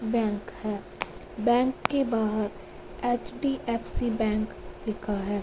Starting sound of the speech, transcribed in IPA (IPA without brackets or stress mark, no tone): b